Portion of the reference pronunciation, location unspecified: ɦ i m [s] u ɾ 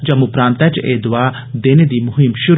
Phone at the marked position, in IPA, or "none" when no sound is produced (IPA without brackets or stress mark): ʃ